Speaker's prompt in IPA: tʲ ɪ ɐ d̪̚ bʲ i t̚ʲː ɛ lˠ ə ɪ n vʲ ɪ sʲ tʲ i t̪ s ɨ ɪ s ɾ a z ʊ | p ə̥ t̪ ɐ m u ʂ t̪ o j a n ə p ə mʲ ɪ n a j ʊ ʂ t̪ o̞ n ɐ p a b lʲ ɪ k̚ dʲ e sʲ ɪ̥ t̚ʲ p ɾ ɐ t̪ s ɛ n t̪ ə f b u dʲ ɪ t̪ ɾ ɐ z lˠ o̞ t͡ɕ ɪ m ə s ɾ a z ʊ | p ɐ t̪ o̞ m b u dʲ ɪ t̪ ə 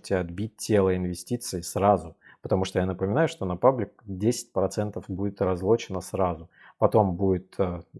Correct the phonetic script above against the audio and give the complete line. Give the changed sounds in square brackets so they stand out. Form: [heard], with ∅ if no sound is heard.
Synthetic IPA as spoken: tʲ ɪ ɐ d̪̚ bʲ i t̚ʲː [e] lˠ ə ɪ n vʲ ɪ sʲ tʲ i t̪ s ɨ ɪ s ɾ a z ʊ | p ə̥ t̪ ɐ m u ʂ t̪ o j a n ə p ə mʲ ɪ n a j ʊ ʂ t̪ o̞ n ɐ p a b lʲ ɪ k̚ dʲ e sʲ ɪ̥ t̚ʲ p ɾ ɐ t̪ s ɛ n t̪ ə f b u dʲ ɪ t̪ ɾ ɐ z lˠ o̞ t͡ɕ ɪ [n] ə s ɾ a z ʊ | p ɐ t̪ o̞ m b u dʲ ɪ t̪ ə

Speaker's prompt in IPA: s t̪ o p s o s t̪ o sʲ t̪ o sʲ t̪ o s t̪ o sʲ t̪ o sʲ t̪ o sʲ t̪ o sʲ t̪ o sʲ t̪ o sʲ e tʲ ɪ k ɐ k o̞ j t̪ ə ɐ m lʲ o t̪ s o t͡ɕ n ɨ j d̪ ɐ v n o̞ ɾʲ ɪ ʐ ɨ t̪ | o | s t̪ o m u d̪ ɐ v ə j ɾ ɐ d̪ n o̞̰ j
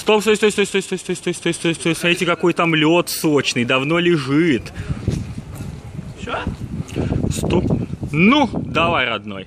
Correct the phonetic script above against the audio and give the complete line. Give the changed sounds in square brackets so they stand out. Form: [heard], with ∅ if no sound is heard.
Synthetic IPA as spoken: s t̪ o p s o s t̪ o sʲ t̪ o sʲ t̪ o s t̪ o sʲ t̪ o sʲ t̪ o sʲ t̪ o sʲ t̪ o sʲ t̪ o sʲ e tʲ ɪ k ɐ k o̞ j t̪ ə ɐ m lʲ o t̪ s o t͡ɕ n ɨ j d̪ ɐ v n o̞ [lʲ] ɪ ʐ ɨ t̪ | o | s t̪ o [n] u d̪ ɐ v [a] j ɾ ɐ d̪ n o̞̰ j

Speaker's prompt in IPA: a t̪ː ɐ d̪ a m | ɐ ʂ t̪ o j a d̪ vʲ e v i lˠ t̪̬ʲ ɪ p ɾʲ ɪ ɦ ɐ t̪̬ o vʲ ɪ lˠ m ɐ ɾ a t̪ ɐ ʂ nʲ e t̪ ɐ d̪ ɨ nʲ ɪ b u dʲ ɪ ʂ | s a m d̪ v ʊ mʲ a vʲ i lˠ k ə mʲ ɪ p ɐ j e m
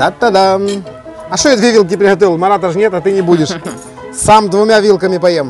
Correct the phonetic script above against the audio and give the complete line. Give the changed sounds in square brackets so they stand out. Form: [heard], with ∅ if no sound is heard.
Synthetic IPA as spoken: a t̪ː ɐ d̪ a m | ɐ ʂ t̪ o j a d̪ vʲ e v i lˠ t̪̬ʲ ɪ p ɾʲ ɪ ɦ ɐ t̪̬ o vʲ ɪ lˠ m ɐ ɾ a t̪ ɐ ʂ nʲ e t̪ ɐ [t̪] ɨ nʲ ɪ b u dʲ ɪ ʂ | s a m d̪ v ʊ mʲ a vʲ i lˠ k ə mʲ ɪ p ɐ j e m

